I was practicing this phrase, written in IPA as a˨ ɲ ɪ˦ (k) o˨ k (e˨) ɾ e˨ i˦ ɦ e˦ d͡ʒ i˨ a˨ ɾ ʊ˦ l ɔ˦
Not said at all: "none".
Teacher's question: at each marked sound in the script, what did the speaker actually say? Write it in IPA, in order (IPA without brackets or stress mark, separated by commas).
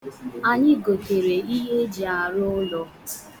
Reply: ɡ, e˨